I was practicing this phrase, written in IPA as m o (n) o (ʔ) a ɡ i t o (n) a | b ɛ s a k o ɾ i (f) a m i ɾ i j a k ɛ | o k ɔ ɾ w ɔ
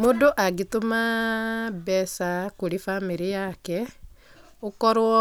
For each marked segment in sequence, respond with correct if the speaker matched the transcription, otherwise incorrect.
incorrect: d, correct, incorrect: m, correct

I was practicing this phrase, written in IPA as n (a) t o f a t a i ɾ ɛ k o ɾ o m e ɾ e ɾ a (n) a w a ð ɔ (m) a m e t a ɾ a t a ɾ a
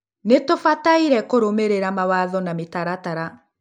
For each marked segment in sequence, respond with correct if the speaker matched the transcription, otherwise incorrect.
incorrect: e, incorrect: m, incorrect: n

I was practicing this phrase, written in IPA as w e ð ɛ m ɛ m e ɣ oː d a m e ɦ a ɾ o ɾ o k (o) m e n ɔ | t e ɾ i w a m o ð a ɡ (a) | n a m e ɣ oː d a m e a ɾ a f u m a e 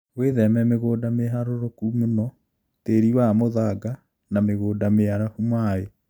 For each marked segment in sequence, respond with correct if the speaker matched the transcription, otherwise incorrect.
incorrect: u, correct

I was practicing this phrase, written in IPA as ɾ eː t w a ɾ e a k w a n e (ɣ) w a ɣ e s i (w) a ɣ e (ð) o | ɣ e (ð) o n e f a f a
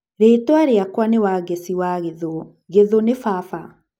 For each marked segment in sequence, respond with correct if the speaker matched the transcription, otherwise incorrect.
incorrect: none, correct, correct, correct

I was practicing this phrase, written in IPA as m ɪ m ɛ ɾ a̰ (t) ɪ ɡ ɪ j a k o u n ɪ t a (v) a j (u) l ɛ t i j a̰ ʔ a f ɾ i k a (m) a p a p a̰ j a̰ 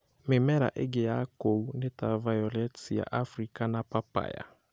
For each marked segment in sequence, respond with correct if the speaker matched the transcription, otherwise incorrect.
incorrect: ʔ, correct, incorrect: ɔ, incorrect: n

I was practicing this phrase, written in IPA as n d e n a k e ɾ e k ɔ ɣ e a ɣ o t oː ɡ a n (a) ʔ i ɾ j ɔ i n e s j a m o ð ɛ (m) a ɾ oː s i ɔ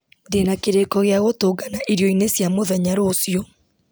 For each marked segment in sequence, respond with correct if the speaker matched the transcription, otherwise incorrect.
correct, incorrect: ɲ

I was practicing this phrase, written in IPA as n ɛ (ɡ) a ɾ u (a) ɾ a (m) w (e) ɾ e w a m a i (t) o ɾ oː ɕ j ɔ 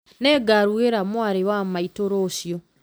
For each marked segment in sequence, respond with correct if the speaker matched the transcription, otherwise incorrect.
correct, incorrect: e, correct, incorrect: a, correct

